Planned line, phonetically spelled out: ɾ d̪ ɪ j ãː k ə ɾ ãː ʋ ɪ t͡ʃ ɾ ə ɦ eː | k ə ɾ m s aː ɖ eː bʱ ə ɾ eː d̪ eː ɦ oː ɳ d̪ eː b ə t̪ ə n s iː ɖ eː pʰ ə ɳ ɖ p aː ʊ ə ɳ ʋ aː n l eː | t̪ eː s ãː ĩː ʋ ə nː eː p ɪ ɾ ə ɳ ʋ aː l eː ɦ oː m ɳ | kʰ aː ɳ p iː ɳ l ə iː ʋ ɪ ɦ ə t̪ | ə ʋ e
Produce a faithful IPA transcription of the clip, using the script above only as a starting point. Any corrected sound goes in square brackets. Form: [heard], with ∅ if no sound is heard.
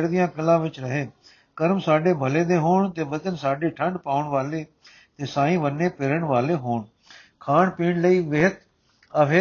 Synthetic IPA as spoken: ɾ d̪ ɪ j ãː k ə [l] ãː ʋ ɪ t͡ʃ ɾ ə ɦ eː | k ə ɾ m s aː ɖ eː bʱ ə [l] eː d̪ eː ɦ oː ɳ [t̪] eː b ə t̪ ə n s [aː] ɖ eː [ʈʰ] ə ɳ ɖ p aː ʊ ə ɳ ʋ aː [∅] l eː | t̪ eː s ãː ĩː ʋ ə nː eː p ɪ ɾ ə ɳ ʋ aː l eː ɦ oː [∅] ɳ | kʰ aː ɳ p iː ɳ l ə iː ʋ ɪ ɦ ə t̪ | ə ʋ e